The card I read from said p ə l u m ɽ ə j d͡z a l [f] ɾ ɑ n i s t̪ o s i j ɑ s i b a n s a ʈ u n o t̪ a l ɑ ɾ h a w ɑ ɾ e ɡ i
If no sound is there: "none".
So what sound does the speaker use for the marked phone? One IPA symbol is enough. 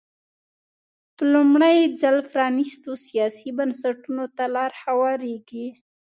f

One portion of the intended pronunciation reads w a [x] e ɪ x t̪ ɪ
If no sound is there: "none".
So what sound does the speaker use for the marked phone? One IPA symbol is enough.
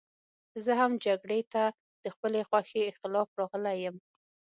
x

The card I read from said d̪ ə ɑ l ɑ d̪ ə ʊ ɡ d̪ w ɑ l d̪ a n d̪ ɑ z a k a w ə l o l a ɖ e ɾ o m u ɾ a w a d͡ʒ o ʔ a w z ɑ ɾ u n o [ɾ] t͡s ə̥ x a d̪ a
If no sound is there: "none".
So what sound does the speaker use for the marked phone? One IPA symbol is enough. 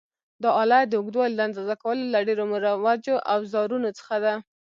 none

